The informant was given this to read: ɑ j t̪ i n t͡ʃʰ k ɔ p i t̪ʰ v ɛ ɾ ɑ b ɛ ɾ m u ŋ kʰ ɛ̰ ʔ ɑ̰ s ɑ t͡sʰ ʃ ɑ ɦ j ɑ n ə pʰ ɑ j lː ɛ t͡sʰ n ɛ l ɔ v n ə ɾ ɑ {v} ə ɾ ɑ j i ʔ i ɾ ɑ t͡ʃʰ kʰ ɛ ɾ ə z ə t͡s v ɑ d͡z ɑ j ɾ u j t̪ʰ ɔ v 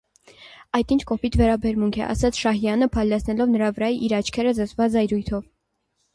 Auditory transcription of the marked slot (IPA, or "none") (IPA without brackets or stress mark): v